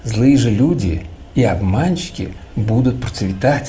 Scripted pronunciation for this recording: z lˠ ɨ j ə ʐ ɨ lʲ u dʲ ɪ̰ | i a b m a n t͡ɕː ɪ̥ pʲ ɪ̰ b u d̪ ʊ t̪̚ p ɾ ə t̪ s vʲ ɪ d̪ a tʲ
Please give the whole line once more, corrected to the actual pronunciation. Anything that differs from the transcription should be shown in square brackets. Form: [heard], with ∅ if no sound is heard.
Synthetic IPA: z lˠ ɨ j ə ʐ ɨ lʲ u dʲ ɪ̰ | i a b m a n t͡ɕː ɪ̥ [kʲ] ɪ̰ b u d̪ ʊ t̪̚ p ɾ ə t̪ s vʲ ɪ [t̪] a tʲ